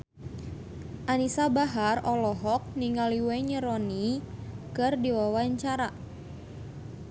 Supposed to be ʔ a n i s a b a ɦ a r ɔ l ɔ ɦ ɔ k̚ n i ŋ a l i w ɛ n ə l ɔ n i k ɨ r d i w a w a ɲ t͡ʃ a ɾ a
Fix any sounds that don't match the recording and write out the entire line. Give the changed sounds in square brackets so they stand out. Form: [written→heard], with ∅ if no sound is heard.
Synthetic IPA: ʔ a n i s a b a ɦ a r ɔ l ɔ ɦ ɔ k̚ n i ŋ a l i w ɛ [n→ɲ] ə [l→ɾ] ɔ n i k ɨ r d i w a w a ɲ t͡ʃ a ɾ a